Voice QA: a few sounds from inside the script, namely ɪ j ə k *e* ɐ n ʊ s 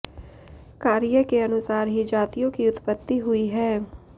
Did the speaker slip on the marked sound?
no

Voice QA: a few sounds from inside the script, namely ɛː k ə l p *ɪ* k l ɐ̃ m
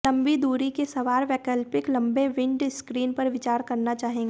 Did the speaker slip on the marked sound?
no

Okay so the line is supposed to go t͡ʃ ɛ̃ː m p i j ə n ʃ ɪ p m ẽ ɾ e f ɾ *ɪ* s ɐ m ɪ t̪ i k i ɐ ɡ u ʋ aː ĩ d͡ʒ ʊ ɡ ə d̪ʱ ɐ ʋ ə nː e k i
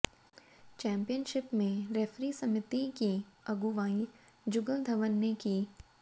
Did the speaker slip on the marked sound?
yes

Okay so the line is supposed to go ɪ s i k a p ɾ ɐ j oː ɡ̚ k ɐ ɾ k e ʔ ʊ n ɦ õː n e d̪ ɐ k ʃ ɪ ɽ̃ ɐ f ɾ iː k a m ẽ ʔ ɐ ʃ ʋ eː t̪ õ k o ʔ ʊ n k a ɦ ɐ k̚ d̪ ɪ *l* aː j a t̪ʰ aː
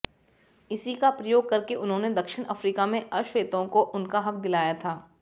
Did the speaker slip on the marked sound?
no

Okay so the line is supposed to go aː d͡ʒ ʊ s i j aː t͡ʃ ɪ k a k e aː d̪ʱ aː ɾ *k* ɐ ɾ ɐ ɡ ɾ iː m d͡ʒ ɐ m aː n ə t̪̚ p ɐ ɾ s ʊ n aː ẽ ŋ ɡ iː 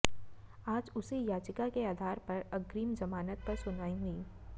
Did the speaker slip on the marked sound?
yes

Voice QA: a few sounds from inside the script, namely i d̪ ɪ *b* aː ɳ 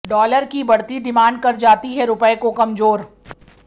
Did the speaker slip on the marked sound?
yes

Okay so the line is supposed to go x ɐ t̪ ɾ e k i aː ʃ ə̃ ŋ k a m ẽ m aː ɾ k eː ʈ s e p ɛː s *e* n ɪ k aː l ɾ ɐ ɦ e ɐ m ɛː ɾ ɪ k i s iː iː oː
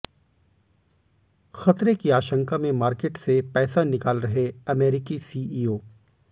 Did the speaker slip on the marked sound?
yes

